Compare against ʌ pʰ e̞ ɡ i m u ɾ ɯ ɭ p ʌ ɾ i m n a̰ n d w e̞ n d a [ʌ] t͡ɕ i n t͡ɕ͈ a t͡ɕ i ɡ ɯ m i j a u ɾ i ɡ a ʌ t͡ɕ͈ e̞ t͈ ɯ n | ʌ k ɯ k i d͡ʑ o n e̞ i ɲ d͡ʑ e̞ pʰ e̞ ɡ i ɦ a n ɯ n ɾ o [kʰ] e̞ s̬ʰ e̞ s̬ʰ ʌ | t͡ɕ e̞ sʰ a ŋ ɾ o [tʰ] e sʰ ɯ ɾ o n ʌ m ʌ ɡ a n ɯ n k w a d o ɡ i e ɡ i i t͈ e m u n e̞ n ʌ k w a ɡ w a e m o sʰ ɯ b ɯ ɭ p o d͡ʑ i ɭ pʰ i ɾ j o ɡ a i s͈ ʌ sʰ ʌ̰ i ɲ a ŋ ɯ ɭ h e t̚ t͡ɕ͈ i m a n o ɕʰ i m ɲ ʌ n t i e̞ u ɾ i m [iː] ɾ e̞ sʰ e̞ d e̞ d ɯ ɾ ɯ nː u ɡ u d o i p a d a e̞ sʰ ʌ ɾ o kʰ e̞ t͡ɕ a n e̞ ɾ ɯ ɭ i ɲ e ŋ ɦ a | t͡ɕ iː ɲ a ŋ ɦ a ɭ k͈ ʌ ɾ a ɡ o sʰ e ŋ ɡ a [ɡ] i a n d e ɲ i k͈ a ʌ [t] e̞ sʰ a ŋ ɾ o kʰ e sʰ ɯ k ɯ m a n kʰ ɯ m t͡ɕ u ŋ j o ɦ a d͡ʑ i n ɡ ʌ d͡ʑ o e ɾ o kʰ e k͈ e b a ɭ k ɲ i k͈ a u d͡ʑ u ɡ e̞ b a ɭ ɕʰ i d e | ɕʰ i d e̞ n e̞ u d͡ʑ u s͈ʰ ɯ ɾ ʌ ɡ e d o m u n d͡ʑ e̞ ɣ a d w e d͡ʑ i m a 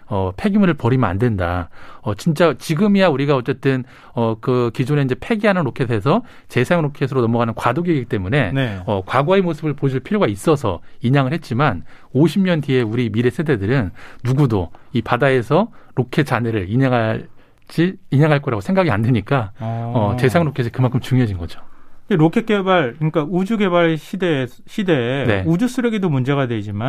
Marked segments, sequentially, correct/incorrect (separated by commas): correct, correct, incorrect, incorrect, correct, correct